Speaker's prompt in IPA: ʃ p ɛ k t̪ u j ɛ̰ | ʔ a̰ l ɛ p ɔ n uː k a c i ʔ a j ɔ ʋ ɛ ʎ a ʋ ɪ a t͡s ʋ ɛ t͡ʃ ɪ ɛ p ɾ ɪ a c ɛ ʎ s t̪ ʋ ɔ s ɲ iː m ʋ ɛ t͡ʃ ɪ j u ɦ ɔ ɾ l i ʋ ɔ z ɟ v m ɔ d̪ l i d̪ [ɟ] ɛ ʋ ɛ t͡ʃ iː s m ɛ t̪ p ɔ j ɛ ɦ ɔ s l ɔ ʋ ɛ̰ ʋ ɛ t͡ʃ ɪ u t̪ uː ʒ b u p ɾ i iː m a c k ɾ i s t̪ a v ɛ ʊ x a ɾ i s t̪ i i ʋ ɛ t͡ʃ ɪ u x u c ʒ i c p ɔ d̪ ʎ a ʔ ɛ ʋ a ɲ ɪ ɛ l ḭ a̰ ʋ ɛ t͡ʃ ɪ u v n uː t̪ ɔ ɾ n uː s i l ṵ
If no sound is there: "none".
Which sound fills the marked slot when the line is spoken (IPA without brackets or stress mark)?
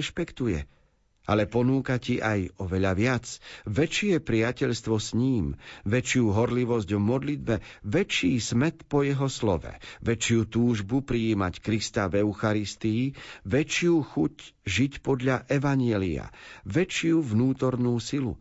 b